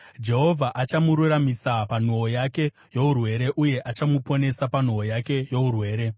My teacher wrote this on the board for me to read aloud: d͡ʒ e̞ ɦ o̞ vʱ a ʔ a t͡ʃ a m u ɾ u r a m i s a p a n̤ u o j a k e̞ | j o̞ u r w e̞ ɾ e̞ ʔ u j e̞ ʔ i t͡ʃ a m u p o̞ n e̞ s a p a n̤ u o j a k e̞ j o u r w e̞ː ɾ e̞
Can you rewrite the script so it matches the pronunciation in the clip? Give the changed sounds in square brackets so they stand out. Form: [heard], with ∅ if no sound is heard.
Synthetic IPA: d͡ʒ e̞ ɦ o̞ vʱ a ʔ a t͡ʃ a m u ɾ u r a m i s a p a n̤ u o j a k e̞ | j o̞ u r w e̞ ɾ e̞ ʔ u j e̞ ʔ [a] t͡ʃ a m u p o̞ n e̞ s a p a n̤ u o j a k e̞ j o u r w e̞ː ɾ e̞